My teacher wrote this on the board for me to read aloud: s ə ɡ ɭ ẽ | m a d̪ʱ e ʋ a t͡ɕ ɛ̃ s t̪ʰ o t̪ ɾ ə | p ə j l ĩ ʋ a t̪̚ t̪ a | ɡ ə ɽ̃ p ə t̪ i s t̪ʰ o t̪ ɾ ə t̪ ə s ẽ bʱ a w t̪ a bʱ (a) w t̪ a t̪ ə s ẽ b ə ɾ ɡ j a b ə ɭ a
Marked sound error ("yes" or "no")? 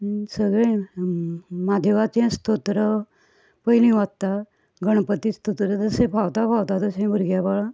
no